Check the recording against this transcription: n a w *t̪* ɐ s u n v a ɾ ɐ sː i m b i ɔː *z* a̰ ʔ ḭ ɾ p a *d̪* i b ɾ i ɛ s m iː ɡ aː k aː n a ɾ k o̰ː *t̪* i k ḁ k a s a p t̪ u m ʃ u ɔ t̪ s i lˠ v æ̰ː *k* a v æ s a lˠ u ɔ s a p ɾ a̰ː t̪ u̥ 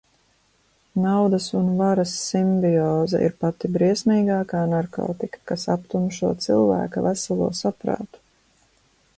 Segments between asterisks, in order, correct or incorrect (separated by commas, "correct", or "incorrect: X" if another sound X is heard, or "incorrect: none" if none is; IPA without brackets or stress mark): incorrect: d̪, correct, incorrect: t̪, correct, correct